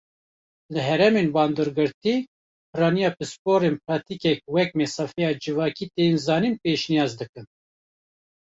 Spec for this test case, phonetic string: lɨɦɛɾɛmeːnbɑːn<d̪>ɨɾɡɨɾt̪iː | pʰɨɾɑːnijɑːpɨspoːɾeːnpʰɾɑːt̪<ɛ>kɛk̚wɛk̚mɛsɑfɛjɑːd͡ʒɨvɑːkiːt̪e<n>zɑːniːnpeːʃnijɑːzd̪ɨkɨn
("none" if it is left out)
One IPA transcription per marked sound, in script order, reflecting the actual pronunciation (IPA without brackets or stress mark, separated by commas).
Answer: d̪, i, n